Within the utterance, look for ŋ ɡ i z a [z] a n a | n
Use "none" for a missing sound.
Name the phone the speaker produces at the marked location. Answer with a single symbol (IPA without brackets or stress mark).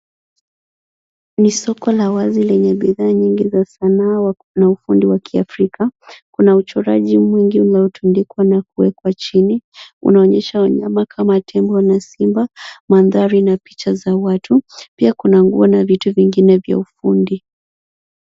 s